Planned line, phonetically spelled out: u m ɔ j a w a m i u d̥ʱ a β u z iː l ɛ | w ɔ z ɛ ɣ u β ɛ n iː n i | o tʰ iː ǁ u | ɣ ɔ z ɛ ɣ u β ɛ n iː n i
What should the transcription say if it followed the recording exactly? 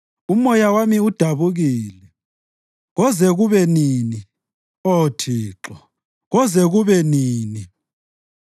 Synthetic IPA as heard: u m ɔ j a w a m i u d̥ʱ a β u ɣ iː l ɛ | ɣ ɔ z ɛ ɣ u β ɛ n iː n i | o tʰ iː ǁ ɔ | ɣ ɔ z ɛ ɣ u β ɛ n iː n i